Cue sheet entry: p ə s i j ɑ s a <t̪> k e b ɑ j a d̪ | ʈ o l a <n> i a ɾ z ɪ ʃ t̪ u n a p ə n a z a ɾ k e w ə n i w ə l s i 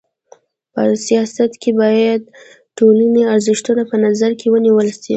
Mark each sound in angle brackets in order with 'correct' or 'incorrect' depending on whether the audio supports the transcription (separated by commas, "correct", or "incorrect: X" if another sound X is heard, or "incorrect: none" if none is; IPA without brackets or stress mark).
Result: correct, correct